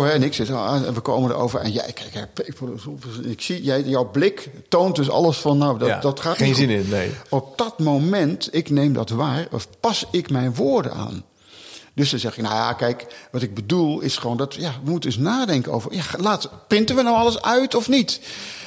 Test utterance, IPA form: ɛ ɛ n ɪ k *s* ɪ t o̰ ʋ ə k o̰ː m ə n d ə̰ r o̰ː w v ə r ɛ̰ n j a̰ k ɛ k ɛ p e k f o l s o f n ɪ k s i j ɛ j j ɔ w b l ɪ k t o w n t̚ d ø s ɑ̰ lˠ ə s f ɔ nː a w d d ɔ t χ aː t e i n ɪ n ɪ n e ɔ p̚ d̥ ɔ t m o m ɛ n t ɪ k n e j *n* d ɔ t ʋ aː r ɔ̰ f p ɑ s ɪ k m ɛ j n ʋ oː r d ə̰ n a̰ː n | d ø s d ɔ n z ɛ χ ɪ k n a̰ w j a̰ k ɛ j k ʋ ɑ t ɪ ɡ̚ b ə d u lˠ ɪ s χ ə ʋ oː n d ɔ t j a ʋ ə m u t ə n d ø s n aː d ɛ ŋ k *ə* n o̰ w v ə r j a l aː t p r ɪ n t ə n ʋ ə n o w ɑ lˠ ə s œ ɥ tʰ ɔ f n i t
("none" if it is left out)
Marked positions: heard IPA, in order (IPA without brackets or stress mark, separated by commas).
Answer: s, m, ə